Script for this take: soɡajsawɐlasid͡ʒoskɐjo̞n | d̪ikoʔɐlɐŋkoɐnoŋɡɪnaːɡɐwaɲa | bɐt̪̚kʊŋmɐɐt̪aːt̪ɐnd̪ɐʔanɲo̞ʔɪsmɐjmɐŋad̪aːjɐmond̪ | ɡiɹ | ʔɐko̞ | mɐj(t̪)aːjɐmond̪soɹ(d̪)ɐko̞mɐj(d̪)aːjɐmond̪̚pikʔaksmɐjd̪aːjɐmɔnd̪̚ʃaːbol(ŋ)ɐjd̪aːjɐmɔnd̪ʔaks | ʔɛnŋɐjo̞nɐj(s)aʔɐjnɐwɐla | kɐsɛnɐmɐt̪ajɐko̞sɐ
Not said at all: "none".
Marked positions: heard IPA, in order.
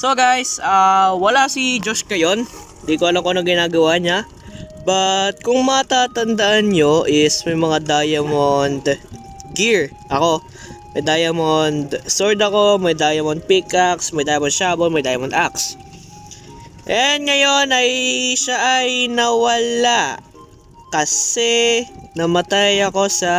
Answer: d̪, d̪, d̪, m, ʃ

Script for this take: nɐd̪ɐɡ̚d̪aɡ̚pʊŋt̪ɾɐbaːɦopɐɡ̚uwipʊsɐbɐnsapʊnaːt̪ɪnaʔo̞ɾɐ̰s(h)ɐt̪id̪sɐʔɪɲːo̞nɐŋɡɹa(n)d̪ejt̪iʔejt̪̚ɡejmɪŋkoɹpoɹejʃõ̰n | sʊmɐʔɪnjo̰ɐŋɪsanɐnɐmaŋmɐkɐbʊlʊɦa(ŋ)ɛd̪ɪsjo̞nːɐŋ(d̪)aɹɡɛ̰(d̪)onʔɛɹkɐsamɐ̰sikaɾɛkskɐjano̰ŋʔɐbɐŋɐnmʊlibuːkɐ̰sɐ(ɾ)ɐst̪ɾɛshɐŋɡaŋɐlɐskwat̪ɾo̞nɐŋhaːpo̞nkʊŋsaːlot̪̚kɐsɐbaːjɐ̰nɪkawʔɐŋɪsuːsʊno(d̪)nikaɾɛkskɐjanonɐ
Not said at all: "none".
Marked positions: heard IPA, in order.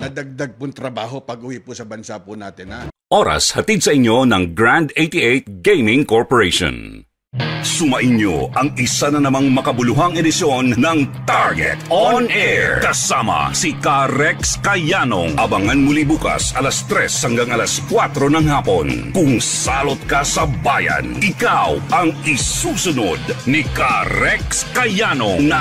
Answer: h, n, ŋ, t̪, t̪, l, d̪

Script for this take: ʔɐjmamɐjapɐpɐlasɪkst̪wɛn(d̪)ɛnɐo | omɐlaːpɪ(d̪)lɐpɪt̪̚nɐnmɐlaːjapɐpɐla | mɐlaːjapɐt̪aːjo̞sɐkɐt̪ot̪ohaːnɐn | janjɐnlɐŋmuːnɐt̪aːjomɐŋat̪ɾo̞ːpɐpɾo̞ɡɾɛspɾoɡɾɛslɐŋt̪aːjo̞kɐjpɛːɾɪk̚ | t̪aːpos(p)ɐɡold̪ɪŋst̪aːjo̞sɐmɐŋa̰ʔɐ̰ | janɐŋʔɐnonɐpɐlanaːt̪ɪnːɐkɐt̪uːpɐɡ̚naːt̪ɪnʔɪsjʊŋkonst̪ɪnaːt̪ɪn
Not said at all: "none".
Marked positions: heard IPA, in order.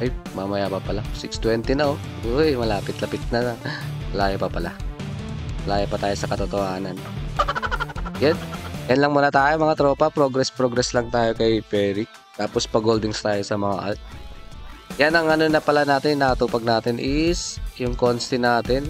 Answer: t̪, t̪, p

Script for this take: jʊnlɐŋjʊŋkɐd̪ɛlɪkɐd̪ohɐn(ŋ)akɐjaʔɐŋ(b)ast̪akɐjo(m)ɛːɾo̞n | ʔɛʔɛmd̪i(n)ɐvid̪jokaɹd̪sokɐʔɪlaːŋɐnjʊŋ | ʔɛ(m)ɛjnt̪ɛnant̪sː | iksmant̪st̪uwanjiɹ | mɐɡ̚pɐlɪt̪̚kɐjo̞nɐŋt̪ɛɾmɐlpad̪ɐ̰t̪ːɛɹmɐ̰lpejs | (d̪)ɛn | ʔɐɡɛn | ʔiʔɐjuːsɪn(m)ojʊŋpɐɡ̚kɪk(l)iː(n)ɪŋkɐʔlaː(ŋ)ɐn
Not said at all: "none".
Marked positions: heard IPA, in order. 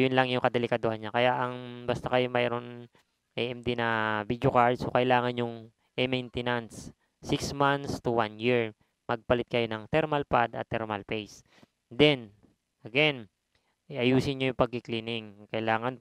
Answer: ɲ, b, m, n, m, d̪, ɲ, l, n, ŋ

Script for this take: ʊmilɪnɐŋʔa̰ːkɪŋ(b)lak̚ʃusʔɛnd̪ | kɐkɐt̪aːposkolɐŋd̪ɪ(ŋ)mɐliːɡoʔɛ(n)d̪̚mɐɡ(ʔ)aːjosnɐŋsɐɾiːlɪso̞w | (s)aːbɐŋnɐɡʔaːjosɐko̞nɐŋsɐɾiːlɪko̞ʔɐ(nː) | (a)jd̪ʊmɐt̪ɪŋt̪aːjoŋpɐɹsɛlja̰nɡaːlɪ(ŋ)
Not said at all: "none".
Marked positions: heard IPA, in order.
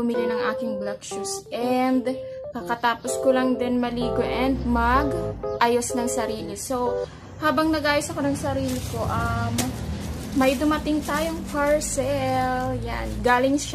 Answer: b, n, n, ʔ, h, mː, ɐ, ŋ

